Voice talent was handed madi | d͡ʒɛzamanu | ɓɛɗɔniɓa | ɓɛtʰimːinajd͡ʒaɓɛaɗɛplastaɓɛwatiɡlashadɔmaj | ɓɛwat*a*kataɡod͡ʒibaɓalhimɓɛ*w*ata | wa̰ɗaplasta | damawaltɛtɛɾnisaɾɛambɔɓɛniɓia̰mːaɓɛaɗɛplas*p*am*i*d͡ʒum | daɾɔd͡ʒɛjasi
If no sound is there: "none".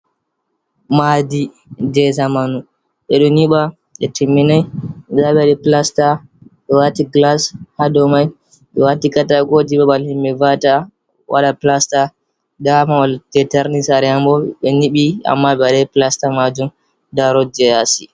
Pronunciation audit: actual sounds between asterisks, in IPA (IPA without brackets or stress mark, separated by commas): i, v, t, a